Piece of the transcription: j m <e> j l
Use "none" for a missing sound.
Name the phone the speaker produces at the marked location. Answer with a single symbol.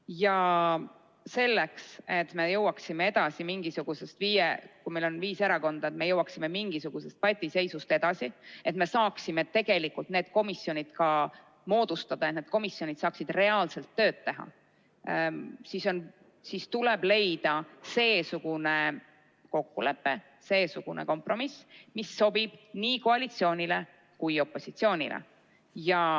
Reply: e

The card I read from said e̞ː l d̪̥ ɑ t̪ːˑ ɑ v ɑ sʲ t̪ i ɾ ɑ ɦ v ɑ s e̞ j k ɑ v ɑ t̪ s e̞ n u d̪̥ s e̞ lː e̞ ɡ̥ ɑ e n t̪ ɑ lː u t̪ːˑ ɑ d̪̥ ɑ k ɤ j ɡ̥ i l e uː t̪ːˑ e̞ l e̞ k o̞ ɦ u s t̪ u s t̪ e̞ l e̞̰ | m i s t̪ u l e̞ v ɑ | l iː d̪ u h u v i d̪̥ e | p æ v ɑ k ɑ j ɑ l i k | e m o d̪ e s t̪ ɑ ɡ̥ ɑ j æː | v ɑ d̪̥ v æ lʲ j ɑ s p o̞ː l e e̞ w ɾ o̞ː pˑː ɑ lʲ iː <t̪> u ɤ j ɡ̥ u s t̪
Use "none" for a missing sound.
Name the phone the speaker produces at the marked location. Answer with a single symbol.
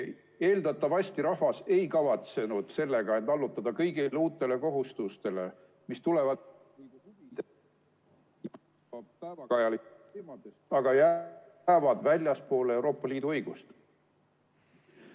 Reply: d̪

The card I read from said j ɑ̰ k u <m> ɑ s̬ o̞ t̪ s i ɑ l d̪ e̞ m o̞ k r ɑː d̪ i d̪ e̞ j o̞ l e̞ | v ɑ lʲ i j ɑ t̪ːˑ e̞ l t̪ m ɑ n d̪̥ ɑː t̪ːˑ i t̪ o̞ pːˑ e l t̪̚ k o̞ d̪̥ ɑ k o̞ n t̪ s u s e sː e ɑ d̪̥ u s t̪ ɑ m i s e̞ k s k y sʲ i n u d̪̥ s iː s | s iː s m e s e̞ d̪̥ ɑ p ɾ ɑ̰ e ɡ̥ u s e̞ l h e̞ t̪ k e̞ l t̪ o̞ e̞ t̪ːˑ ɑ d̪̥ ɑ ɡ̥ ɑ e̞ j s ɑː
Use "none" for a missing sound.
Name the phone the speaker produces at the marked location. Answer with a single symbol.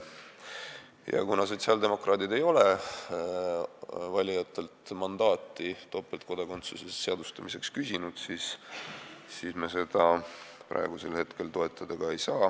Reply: n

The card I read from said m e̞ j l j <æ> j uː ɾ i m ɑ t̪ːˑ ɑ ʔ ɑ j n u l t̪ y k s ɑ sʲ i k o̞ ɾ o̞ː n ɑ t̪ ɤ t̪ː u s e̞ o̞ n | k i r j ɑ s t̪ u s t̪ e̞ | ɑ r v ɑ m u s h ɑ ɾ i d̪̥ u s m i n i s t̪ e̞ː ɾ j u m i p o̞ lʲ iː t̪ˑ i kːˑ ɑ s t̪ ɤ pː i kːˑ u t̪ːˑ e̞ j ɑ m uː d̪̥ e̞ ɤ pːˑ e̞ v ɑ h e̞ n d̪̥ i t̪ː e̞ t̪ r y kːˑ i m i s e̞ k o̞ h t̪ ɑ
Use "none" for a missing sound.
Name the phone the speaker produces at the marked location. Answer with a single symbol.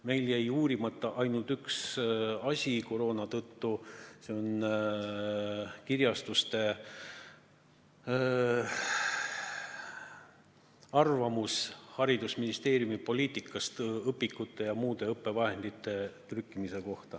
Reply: æ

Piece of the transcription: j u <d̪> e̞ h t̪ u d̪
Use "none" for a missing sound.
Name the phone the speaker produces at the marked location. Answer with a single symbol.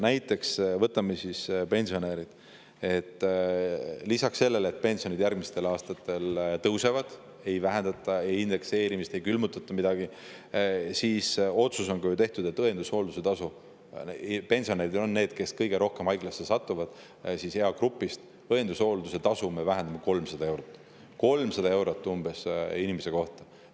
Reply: t̪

